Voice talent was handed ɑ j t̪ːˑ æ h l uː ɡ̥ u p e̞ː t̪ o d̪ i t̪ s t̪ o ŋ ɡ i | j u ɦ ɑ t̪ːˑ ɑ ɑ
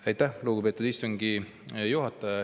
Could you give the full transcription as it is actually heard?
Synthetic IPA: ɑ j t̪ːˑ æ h l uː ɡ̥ u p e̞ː t̪ u d̪ i s t̪ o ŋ ɡ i | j u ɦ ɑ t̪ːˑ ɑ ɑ